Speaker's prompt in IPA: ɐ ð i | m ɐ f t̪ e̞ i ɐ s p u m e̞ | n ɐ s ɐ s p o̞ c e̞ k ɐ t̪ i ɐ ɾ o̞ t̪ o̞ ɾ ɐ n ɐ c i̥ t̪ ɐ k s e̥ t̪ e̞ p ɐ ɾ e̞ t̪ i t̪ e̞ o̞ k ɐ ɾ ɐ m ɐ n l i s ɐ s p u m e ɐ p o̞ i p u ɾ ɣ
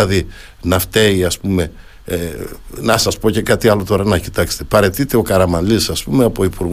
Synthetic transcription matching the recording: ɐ ð i | n ɐ f t̪ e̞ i ɐ s p u m e̞ | n ɐ s ɐ s p o̞ c e̞ k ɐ t̪ i ɐ l o̞ t̪ o̞ ɾ ɐ n ɐ c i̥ t̪ ɐ k s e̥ t̪ e̞ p ɐ ɾ e̞ t̪ i t̪ e̞ o̞ k ɐ ɾ ɐ m ɐ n l i s ɐ s p u m e ɐ p o̞ i p u ɾ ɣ